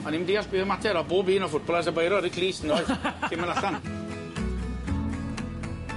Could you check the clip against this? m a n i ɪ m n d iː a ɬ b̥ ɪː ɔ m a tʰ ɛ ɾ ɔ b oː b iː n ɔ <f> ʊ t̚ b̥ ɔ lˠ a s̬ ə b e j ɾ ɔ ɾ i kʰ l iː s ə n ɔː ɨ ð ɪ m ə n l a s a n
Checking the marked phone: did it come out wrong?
no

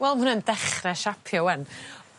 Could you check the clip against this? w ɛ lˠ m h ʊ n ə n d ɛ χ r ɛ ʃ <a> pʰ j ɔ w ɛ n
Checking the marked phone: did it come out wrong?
no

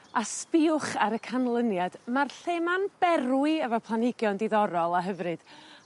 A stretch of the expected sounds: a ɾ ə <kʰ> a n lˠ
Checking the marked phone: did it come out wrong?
no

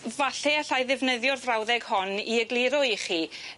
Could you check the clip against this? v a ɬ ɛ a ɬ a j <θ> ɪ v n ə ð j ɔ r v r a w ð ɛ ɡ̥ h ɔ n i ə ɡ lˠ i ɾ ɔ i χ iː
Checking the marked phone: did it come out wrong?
yes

